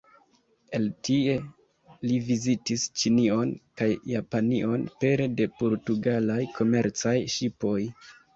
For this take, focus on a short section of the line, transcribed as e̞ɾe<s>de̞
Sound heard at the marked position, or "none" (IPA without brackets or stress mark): none